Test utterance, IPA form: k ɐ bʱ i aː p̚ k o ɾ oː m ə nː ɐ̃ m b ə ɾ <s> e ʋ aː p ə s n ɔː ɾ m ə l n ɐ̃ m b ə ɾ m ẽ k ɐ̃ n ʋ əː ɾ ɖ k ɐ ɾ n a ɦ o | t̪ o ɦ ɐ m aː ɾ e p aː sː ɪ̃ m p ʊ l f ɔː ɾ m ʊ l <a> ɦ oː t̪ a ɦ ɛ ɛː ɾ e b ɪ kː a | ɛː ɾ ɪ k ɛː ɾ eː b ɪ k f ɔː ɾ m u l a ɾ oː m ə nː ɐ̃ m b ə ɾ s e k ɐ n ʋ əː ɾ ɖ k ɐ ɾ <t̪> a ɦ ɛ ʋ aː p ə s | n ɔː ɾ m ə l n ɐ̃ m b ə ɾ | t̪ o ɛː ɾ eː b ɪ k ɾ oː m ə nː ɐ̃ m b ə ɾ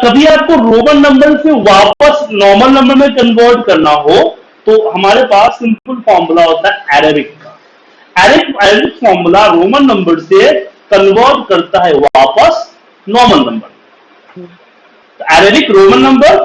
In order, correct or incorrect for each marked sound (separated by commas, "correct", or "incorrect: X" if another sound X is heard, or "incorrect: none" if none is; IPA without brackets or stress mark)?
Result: correct, correct, correct